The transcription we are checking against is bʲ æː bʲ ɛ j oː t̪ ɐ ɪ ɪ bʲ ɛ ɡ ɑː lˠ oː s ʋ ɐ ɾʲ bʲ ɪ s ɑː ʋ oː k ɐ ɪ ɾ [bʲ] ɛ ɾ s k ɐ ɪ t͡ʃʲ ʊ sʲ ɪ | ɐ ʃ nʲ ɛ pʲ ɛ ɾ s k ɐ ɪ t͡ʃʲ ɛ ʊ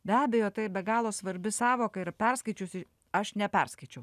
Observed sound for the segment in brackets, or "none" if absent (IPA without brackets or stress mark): pʲ